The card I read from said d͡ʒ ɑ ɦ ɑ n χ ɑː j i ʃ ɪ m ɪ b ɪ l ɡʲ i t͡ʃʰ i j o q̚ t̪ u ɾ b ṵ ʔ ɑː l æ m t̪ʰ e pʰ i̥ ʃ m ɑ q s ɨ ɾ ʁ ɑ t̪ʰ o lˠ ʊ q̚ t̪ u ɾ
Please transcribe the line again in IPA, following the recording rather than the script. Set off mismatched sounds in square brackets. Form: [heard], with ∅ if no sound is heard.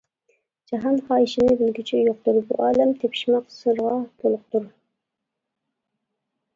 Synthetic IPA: d͡ʒ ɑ ɦ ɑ n χ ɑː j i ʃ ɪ [n] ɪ b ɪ l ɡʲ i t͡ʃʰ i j o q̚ t̪ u ɾ b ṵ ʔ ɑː l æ m t̪ʰ e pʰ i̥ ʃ m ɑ q s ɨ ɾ ʁ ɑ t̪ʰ o lˠ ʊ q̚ t̪ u ɾ

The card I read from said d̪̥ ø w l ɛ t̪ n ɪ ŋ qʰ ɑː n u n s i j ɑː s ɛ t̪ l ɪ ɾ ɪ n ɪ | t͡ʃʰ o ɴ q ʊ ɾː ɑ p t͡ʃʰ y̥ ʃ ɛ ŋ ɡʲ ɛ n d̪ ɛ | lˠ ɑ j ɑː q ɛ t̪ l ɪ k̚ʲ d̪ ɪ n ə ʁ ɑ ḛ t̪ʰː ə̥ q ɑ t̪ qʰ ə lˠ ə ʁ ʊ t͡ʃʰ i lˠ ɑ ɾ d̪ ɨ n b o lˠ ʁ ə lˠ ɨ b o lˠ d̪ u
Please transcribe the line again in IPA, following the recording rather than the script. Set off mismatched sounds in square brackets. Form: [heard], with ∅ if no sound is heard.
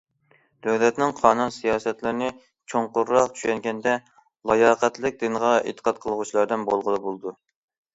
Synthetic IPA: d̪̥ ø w l ɛ t̪ n ɪ ŋ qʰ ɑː n u n s i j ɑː s ɛ t̪ l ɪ ɾ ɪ n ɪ | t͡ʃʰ o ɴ q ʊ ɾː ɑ [q] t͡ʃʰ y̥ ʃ ɛ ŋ ɡʲ ɛ n d̪ ɛ | lˠ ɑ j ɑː q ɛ t̪ l ɪ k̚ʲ d̪ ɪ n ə ʁ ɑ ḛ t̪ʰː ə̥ q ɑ t̪ qʰ ə lˠ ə ʁ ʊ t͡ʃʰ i lˠ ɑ ɾ d̪ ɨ n b o lˠ ʁ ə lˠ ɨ b o lˠ d̪ u

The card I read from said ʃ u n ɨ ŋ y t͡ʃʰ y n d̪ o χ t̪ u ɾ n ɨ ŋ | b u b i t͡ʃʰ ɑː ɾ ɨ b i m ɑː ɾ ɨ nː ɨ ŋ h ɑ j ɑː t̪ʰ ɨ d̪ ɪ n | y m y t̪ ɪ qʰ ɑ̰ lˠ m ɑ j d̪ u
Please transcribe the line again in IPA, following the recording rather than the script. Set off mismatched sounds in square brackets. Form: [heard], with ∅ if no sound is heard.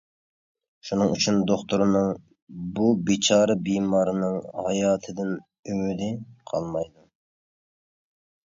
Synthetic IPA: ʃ u n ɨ ŋ y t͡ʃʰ y n d̪ o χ t̪ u ɾ n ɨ ŋ | b u b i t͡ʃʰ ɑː ɾ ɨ b i m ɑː ɾ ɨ [n] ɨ ŋ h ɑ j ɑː t̪ʰ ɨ d̪ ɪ n | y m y [d̪] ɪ qʰ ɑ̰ lˠ m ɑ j d̪ u

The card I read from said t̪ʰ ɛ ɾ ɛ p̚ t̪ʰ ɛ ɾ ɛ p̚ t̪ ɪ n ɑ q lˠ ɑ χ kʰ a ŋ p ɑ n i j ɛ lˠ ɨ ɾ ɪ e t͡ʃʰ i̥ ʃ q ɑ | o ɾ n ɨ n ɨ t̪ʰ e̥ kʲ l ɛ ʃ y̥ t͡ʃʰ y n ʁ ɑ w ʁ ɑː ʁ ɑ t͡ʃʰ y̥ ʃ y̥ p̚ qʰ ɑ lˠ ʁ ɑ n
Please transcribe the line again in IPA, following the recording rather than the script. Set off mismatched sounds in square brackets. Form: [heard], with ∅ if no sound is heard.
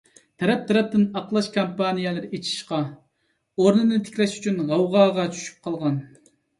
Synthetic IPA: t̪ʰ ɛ ɾ ɛ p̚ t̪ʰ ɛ ɾ ɛ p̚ t̪ ɪ n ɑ q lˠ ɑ [ʃ] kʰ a [m] p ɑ n i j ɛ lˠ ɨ ɾ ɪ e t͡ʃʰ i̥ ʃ q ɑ | o ɾ n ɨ n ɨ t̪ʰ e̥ kʲ l ɛ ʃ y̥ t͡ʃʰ y n ʁ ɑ w ʁ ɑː ʁ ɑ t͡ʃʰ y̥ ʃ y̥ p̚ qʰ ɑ lˠ ʁ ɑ n

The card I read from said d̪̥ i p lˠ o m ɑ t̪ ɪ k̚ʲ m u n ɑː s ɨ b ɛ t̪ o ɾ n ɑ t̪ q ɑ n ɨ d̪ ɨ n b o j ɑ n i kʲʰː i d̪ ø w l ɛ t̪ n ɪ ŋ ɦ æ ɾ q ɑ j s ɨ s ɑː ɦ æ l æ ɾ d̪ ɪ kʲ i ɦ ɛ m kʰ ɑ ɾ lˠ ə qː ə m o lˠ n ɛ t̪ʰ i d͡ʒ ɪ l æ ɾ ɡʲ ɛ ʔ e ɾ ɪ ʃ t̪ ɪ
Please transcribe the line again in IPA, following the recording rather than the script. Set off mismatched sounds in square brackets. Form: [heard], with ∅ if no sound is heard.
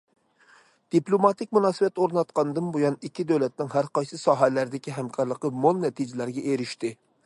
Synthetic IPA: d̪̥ i p lˠ o m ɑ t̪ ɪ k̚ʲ m u n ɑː s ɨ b ɛ t̪ o ɾ n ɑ t̪ q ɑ n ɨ d̪ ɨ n b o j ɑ n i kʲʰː i d̪ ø w l ɛ t̪ n ɪ ŋ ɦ æ ɾ q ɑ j s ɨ s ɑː ɦ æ l æ ɾ d̪ ɪ kʲ i ɦ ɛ m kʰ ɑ ɾ lˠ ə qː ə m o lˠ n ɛ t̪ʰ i d͡ʒ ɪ l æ ɾ ɡʲ ɛ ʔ e ɾ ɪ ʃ t̪ ɪ

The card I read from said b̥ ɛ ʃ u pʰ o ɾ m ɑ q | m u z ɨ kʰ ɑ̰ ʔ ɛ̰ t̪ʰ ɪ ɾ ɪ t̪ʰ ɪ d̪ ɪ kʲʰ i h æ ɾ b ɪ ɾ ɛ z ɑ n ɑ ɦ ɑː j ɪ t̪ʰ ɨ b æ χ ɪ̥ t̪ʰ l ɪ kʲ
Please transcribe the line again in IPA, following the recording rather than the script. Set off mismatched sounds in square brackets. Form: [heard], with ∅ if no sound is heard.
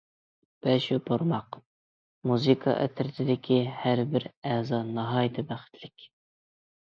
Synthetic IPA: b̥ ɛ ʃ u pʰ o ɾ m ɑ q | m u z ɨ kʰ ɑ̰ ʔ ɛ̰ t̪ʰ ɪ ɾ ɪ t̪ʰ ɪ d̪ ɪ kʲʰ i h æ ɾ b ɪ ɾ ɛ z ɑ n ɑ ɦ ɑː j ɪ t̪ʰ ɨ b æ χ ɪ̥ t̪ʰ l ɪ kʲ

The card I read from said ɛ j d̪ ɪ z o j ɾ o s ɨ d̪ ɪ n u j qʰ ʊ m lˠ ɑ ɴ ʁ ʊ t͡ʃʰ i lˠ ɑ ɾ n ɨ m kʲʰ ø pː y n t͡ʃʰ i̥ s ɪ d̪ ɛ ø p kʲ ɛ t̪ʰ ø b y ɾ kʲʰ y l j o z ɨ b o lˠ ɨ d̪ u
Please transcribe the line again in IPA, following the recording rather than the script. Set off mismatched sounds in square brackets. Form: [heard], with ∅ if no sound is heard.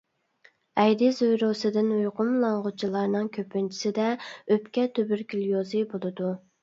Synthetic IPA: ɛ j d̪ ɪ z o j ɾ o s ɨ d̪ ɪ n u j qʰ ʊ m lˠ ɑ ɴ ʁ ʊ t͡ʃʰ i lˠ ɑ ɾ n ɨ [ŋ] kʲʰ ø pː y n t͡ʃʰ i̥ s ɪ d̪ ɛ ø p kʲ ɛ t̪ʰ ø b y ɾ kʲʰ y l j o z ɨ b o lˠ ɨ d̪ u

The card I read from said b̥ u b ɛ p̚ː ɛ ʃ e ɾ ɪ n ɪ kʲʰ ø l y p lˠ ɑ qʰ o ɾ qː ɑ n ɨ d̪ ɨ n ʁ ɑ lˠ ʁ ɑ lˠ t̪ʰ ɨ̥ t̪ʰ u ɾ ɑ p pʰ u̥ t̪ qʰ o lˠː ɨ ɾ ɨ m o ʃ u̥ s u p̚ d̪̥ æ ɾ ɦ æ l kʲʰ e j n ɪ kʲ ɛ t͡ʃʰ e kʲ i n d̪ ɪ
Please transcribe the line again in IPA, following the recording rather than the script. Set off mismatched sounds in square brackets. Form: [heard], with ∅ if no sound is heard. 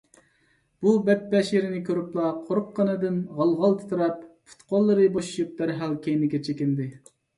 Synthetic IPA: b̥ u b ɛ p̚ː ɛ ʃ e ɾ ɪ n ɪ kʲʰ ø [ɾ] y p lˠ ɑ qʰ o ɾ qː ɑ n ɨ d̪ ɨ n ʁ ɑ lˠ ʁ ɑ lˠ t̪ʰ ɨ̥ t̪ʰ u ɾ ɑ p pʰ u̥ t̪ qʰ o lˠː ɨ ɾ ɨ [b] o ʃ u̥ [ʃ] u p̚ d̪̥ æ ɾ ɦ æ l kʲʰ e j n ɪ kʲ ɛ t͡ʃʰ e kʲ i n d̪ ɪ

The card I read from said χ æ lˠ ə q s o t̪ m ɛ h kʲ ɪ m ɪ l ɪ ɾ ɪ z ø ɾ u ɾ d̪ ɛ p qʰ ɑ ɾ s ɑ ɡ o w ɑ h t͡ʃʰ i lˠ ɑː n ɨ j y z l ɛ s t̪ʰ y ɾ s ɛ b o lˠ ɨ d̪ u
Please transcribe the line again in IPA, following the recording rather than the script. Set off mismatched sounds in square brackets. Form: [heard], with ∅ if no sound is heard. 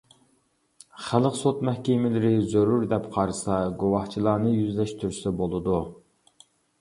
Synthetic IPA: χ æ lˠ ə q s o t̪ m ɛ h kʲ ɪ m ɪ l ɪ ɾ ɪ z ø ɾ u ɾ d̪ ɛ p qʰ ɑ ɾ s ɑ ɡ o w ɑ h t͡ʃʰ i lˠ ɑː n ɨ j y z l ɛ [ʃ] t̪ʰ y ɾ s ɛ b o lˠ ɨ d̪ u

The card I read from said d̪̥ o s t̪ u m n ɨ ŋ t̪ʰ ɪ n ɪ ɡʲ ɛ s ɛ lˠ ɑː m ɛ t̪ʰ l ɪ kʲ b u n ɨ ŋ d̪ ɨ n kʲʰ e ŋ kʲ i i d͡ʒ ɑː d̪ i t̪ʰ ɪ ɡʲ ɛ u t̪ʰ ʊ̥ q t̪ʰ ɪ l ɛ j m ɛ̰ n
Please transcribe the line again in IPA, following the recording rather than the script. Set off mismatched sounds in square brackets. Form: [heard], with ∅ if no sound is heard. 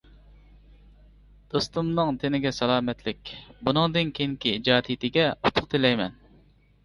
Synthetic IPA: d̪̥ o s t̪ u m n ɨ ŋ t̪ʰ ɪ n ɪ ɡʲ ɛ s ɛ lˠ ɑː m ɛ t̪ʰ l ɪ kʲ b u n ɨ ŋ d̪ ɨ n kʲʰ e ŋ kʲ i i d͡ʒ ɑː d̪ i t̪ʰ ɪ ɡʲ ɛ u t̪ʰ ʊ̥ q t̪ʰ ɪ l ɛ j m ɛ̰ n

